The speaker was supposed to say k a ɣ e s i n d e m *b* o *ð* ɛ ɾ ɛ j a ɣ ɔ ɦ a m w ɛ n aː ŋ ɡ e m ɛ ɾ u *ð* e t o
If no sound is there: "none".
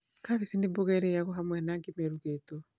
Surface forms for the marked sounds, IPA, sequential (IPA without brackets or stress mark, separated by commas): b, ɣ, ɣ